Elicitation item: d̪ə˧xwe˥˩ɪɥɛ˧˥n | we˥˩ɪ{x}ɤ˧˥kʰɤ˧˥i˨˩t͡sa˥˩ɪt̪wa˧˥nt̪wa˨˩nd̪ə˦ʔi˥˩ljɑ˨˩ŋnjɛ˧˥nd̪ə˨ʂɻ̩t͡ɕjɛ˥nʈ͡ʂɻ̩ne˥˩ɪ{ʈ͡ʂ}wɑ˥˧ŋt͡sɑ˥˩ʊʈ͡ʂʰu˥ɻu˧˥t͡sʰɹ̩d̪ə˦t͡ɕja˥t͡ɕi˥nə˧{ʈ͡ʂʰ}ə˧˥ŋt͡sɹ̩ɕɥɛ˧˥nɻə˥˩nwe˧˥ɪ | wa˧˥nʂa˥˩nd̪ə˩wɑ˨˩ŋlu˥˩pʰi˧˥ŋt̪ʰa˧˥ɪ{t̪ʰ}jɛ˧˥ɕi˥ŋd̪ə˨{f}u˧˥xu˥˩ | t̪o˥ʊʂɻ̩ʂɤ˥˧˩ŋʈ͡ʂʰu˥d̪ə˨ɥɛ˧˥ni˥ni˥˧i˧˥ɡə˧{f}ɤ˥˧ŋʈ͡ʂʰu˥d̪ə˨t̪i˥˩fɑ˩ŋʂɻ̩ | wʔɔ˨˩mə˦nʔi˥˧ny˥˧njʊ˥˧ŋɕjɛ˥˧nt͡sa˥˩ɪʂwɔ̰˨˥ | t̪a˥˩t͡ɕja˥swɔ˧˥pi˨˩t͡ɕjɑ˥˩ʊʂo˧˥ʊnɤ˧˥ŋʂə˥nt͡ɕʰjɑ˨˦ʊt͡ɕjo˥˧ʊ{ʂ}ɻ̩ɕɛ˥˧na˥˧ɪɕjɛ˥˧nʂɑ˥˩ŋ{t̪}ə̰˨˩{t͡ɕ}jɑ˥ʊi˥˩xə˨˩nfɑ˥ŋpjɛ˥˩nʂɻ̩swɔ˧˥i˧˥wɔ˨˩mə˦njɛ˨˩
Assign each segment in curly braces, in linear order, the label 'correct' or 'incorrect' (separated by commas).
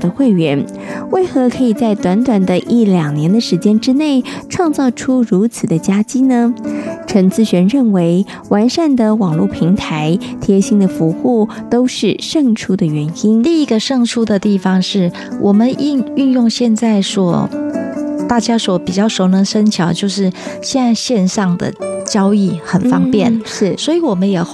correct, incorrect, correct, correct, correct, incorrect, correct, incorrect, correct